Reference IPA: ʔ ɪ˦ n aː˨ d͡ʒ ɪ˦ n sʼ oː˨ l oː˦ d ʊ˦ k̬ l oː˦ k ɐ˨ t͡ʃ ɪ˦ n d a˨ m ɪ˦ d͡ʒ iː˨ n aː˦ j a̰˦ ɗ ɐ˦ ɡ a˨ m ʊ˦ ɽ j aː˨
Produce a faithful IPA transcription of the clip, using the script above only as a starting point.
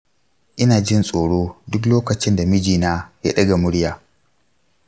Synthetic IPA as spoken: ʔ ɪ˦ n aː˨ d͡ʒ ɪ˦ n sʼ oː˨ ɽ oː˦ d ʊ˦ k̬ l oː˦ k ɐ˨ t͡ʃ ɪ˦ n d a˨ m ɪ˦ d͡ʒ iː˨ n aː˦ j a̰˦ ɗ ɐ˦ ɡ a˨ m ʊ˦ ɽ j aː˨